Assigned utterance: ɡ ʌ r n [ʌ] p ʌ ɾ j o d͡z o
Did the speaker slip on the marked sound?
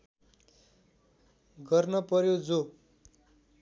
no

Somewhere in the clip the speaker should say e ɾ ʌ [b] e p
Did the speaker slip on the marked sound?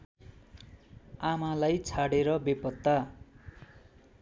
no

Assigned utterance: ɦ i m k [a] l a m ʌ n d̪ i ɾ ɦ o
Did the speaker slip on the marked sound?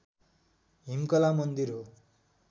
yes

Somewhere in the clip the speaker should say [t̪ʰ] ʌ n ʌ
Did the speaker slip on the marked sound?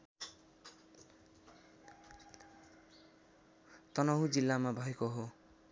yes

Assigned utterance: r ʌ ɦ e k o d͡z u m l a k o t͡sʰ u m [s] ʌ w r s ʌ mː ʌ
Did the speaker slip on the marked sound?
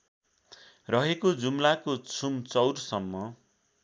yes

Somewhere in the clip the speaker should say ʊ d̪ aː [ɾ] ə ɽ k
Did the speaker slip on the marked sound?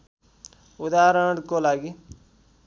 no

